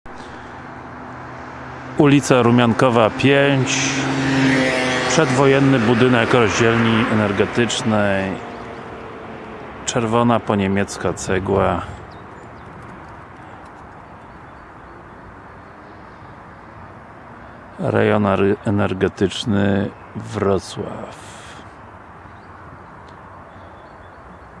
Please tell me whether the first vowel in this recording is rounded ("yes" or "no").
yes